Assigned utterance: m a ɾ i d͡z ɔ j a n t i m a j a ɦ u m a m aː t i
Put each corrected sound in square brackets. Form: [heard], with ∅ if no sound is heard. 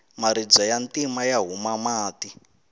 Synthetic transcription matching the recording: m a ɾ i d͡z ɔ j a n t i m a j a ɦ u m a m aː t i